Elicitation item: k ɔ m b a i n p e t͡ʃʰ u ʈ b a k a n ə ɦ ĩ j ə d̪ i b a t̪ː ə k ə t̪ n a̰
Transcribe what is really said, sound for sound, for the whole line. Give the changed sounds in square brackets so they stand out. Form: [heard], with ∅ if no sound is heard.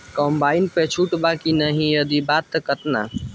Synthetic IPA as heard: k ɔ m b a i n p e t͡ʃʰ u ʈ b a k [i] n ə ɦ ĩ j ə d̪ i b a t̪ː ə k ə t̪ n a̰